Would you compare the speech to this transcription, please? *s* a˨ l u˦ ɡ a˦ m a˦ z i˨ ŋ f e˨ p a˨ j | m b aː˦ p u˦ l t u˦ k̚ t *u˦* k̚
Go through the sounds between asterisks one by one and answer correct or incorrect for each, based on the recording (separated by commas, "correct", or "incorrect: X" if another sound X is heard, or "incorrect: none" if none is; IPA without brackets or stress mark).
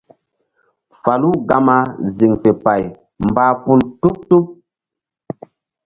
incorrect: f, correct